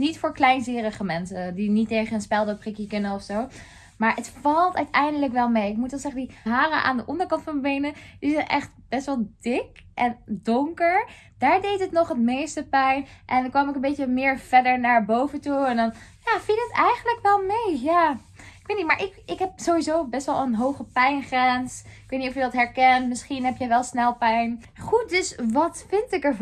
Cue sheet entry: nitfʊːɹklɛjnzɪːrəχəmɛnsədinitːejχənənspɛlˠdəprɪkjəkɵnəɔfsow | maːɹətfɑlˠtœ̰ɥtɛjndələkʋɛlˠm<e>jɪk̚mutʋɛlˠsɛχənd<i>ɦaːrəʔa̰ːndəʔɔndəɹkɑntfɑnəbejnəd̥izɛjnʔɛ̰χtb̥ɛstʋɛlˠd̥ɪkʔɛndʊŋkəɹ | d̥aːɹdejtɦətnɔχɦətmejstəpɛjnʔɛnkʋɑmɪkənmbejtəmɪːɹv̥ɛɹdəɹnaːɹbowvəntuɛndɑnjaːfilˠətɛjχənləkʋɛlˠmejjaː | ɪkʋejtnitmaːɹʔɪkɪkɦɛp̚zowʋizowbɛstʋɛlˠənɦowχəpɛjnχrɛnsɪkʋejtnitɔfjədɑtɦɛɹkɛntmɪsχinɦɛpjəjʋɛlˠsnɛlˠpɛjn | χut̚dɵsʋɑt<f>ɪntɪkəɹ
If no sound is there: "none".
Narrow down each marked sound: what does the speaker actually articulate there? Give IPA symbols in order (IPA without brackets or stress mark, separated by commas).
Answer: e, i, f